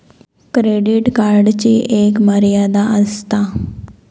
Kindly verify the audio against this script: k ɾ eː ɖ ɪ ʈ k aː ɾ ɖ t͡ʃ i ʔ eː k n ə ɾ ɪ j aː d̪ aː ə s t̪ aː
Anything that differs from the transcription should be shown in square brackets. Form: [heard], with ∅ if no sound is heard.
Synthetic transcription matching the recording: k ɾ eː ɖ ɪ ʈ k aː ɾ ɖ t͡ʃ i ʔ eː k [m] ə ɾ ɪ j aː d̪ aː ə s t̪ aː